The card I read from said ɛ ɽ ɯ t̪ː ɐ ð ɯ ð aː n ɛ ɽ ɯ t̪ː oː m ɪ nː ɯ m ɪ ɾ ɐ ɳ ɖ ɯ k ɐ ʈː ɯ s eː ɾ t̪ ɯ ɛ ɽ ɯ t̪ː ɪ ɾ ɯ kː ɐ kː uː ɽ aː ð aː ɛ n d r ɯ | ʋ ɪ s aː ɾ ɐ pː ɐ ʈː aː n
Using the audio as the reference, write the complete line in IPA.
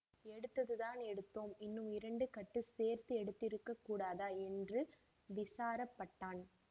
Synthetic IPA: ɛ ɽ ɯ t̪ː ɐ ð ɯ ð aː n ɛ ɽ ɯ t̪ː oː m ɪ nː ɯ m ɪ ɾ ɐ ɳ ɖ ɯ k ɐ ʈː ɯ s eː ɾ t̪ ɯ ɛ ɽ ɯ t̪ː ɪ ɾ ɯ kː ɐ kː uː ɽ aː ð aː ɛ n d r ɯ | ʋ ɪ s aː ɾ ɐ pː ɐ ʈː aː n